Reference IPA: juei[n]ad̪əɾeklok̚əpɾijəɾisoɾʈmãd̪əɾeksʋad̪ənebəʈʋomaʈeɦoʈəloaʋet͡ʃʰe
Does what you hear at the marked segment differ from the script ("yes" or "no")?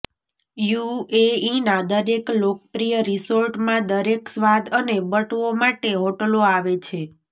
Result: no